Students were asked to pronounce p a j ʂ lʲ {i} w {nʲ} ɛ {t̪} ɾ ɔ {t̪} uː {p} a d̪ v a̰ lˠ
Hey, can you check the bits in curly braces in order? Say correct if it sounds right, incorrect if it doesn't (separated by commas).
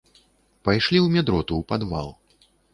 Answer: correct, incorrect, incorrect, correct, correct